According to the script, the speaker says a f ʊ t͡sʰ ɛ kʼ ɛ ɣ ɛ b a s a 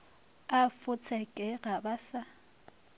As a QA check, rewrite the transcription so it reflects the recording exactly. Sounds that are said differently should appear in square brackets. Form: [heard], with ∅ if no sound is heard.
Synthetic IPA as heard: a f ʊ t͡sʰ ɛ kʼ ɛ ɣ [a] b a s a